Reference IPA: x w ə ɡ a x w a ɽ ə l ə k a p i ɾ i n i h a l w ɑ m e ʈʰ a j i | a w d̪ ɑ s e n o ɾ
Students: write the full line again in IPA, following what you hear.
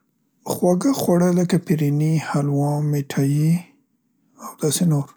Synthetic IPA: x w a ɡ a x w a ɽ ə l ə k a p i ɾ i n i h a l w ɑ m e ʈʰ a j i | a w d̪ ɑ s e n o ɾ